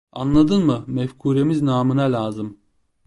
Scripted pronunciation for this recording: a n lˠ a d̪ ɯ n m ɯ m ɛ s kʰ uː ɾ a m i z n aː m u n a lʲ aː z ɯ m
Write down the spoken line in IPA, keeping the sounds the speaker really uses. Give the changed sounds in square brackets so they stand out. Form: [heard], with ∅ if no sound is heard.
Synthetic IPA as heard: a n lˠ a d̪ ɯ n m ɯ m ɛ [f] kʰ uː ɾ [e] m i z n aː m [ɯ] n a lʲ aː z ɯ m